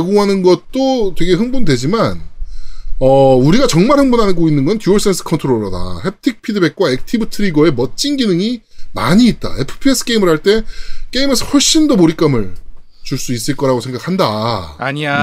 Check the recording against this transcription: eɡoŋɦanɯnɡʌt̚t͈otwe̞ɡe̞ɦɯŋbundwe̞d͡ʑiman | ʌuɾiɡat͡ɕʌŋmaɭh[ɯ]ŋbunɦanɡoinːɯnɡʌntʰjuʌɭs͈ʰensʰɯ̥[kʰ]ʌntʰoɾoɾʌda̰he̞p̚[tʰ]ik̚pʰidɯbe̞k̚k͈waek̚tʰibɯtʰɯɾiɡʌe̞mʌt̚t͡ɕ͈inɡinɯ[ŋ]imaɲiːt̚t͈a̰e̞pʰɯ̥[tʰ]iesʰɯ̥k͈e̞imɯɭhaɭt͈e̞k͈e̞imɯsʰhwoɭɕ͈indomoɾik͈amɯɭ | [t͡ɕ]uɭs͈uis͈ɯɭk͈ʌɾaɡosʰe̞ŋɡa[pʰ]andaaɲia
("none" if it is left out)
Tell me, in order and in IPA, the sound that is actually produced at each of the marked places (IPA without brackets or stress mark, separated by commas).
ɯ, kʰ, tʰ, ŋ, pʰ, t͡ɕ, kʰ